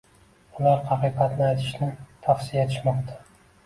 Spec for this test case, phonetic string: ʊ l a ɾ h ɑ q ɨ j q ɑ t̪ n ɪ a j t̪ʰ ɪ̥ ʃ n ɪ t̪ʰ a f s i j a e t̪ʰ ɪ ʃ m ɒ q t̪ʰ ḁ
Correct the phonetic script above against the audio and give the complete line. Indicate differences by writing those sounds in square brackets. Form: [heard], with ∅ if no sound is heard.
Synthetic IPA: ʊ l a ɾ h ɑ q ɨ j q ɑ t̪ n ɪ a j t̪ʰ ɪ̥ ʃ n ɪ t̪ʰ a f s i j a e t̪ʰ ɪ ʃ m ɒ q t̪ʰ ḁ